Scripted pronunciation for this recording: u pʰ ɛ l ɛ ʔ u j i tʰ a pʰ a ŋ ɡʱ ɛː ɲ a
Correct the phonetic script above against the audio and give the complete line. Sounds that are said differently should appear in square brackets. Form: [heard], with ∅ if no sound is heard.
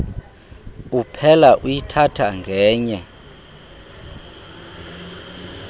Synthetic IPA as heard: u pʰ ɛ l [a] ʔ u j i tʰ a [tʰ] a ŋ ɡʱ ɛː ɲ [ɛ]